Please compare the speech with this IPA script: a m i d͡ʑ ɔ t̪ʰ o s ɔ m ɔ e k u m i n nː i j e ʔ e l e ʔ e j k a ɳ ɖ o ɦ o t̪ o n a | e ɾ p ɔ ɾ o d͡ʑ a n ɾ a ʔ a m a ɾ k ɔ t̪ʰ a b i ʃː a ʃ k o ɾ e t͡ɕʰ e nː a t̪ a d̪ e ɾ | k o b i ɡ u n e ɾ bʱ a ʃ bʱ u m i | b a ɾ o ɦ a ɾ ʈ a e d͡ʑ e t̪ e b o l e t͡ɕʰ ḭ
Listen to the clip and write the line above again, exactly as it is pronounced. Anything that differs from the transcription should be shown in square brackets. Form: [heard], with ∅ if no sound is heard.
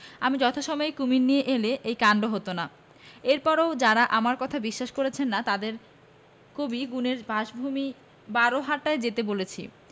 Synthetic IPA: a m i d͡ʑ ɔ t̪ʰ o [ʃ] ɔ m ɔ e k u m i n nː i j e ʔ e l e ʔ e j k a ɳ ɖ o ɦ o t̪ o n a | e ɾ p ɔ ɾ o d͡ʑ a [∅] ɾ a ʔ a m a ɾ k ɔ t̪ʰ a b i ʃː a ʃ k o ɾ e t͡ɕʰ e nː a t̪ a d̪ e ɾ | k o b i ɡ u n e ɾ bʱ a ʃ bʱ u m i | b a ɾ o ɦ a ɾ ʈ a e d͡ʑ e t̪ e b o l e t͡ɕʰ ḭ